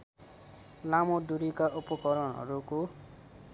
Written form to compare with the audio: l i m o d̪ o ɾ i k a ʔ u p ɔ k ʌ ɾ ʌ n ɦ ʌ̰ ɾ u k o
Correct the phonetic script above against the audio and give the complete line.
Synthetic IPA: l a m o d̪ u ɾ i k a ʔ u p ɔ k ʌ ɾ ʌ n ɦ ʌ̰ ɾ u k o

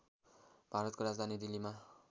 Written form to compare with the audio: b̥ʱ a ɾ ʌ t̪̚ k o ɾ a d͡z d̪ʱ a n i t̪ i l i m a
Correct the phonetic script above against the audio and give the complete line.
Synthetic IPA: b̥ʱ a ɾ ʌ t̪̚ k o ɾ a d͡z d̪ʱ a n i d̪ i l i m a

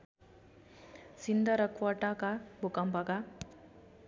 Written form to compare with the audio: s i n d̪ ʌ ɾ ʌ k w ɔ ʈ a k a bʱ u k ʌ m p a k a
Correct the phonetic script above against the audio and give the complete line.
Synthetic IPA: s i n d̪ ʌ ɾ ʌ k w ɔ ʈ a k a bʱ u k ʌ m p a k a

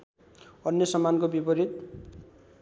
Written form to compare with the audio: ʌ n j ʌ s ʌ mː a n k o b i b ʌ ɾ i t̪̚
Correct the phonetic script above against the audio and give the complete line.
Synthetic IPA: ʌ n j ʌ s ʌ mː a n k o b i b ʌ ɾ i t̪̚

